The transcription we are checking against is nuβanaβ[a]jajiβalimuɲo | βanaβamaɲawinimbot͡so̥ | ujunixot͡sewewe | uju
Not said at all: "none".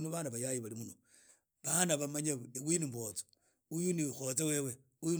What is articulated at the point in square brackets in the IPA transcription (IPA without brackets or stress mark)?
a